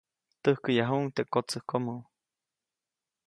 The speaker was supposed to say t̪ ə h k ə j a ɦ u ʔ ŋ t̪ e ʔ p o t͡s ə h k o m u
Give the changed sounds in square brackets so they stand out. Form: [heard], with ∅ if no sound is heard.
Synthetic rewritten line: t̪ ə h k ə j a ɦ u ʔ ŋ t̪ e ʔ [k] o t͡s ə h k o m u

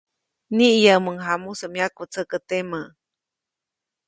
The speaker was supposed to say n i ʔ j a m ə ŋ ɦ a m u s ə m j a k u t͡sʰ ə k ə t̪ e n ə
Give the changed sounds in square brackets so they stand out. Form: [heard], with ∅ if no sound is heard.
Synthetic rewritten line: n i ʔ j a m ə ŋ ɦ a m u s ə m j a k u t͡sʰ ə k ə t̪ e [m] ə

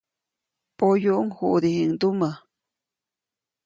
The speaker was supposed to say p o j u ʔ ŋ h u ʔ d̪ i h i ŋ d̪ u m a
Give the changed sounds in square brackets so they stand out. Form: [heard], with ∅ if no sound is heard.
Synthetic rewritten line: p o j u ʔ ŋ h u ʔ d̪ i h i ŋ d̪ u m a

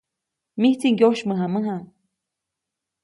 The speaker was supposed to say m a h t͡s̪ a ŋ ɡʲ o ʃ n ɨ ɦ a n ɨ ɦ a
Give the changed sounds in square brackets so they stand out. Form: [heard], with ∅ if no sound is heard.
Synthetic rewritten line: m [i] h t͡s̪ [i] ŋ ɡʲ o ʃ [m] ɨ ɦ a [m] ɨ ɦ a

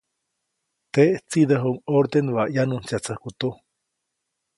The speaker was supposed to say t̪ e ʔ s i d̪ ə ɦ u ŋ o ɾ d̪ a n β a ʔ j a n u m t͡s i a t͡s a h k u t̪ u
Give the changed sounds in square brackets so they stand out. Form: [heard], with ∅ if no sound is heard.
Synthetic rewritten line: t̪ e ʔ [t͡s] i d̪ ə ɦ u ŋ o ɾ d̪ [e] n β a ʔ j a n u [n] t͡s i a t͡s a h k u t̪ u

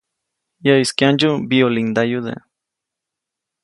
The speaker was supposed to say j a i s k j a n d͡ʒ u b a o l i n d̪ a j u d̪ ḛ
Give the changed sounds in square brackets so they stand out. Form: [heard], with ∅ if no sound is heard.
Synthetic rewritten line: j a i s k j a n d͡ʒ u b [i] o l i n d̪ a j u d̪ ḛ

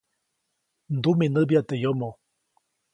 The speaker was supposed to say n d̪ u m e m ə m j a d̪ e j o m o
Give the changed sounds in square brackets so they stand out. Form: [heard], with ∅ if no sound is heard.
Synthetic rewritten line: n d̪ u m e [n] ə [b] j a [t̪] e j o m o

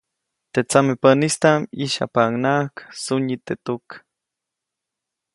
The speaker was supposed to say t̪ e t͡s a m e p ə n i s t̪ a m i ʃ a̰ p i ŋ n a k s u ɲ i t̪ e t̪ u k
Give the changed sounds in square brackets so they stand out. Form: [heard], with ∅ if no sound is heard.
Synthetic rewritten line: t̪ e t͡s a m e p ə n i s t̪ a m i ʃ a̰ p [a] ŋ n a k s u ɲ i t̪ e t̪ u k

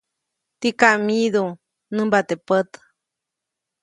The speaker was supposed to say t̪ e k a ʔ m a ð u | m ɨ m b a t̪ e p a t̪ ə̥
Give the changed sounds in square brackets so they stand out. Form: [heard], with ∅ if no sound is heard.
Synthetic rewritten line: t̪ [i] k a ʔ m [i] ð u | [n] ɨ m b a t̪ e p [ə] t̪ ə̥

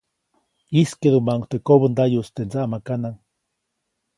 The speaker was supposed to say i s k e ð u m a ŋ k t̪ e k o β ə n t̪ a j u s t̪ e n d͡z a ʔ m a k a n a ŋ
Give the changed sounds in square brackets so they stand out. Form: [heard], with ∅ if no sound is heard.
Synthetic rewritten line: i s k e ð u m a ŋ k t̪ e k o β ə n [d̪] a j u s t̪ e n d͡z a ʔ m a k a n a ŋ

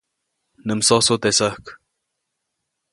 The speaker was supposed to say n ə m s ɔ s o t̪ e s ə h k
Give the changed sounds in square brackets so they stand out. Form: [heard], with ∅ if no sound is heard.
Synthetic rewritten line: n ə m s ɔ s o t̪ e s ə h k

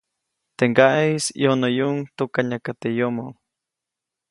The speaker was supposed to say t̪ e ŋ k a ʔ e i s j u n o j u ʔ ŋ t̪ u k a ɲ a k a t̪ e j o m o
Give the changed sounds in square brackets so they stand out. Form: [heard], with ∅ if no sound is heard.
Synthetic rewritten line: t̪ e ŋ [ɡ] a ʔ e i s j [o] n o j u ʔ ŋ t̪ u k a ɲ a k a t̪ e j o m o

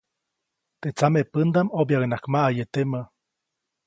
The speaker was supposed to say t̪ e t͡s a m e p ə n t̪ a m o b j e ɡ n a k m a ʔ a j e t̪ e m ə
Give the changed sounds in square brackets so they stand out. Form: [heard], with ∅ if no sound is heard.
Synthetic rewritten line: t̪ e t͡s a m e p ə n [d̪] a m o b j [a] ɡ n a k m a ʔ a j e t̪ e m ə

